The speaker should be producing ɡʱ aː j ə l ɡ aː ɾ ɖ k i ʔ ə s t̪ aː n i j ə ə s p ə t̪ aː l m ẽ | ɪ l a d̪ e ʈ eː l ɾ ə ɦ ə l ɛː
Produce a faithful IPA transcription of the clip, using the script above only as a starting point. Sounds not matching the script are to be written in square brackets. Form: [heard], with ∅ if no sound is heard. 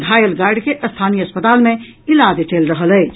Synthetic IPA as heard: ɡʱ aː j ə l ɡ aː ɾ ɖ k [e] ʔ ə s [t̪ʰ] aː n i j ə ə s p ə t̪ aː l m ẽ | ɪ l a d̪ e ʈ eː l ɾ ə ɦ ə l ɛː